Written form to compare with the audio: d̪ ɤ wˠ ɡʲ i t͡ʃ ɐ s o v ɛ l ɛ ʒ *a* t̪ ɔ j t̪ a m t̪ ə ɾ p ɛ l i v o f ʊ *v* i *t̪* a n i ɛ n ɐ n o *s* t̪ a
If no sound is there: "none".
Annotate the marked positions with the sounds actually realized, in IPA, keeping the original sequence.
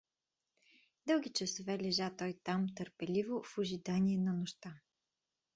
a, ʒ, d̪, ʃ

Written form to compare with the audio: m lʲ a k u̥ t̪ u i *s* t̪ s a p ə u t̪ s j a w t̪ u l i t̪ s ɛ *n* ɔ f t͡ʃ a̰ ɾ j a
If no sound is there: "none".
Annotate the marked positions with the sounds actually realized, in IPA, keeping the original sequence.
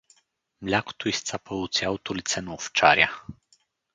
s, n

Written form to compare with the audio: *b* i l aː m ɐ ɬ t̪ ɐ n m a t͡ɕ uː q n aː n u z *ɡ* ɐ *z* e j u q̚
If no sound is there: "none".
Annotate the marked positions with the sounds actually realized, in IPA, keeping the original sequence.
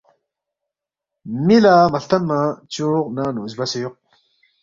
m, b, s

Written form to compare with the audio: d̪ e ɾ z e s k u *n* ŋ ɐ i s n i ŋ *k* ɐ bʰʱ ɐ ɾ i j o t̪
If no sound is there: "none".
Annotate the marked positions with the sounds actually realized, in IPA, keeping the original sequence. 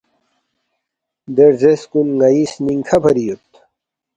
n, kʰ

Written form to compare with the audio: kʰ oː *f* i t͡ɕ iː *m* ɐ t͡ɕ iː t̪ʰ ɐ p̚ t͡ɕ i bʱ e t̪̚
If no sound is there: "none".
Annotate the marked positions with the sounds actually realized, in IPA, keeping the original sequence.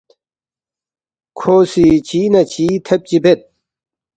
s, n

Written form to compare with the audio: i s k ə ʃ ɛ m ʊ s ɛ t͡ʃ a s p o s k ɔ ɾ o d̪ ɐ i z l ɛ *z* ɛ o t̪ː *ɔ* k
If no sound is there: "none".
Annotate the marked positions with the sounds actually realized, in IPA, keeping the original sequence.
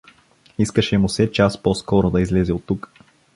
z, u

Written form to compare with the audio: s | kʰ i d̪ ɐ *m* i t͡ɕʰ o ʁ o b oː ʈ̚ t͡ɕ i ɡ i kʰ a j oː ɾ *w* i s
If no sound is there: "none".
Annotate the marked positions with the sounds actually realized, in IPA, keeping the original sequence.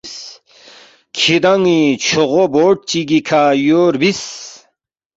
ŋ, b

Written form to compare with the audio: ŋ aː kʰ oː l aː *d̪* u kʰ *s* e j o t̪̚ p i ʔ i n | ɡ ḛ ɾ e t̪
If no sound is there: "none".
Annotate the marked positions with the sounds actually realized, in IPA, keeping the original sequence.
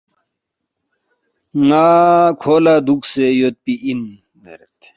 d̪, s

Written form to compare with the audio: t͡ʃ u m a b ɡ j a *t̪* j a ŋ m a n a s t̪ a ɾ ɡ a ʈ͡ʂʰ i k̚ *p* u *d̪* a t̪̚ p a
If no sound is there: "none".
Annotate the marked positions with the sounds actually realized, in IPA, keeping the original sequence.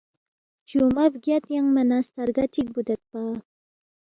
t̪, b, d̪

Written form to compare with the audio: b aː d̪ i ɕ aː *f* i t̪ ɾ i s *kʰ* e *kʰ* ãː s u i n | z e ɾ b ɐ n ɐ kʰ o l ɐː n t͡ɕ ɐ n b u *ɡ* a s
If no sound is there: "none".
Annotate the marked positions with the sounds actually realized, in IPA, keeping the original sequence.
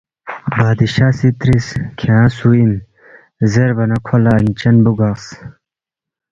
s, kʰ, none, ɡ

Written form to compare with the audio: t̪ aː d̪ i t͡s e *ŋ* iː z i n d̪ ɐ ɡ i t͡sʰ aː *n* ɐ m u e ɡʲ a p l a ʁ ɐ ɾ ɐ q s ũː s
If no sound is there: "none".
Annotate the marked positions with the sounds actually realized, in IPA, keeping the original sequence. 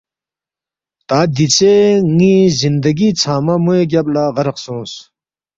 ŋ, m

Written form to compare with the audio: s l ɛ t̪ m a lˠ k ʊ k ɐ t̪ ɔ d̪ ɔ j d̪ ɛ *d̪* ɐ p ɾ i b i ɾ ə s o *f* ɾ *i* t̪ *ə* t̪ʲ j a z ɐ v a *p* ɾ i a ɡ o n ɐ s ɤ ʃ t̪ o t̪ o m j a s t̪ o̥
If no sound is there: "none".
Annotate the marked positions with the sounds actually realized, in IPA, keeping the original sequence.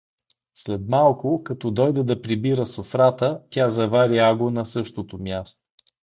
d̪, f, a, ə, none

